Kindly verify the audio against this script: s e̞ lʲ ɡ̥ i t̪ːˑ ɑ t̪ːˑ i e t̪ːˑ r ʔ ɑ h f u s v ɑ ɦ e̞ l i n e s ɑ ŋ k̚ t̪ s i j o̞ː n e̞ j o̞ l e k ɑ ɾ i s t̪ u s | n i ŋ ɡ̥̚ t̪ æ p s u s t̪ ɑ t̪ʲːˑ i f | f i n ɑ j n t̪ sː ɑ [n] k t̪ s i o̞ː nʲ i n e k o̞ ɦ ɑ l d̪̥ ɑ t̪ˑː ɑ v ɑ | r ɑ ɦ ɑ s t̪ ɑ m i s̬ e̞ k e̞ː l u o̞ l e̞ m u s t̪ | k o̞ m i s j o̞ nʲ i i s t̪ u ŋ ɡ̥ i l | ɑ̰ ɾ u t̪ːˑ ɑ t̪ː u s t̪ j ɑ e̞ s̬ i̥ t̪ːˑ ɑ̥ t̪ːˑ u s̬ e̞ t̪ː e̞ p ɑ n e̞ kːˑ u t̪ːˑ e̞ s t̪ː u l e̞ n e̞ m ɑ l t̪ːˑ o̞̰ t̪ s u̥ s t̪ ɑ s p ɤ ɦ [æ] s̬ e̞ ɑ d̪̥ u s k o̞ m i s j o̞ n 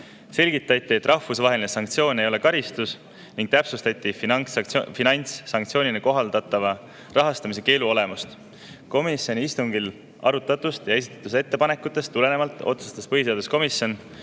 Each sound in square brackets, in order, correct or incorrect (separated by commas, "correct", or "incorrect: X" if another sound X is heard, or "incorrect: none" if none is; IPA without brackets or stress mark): incorrect: ŋ, incorrect: i